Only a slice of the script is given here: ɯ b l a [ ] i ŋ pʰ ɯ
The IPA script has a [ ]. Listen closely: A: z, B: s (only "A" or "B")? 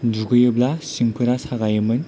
B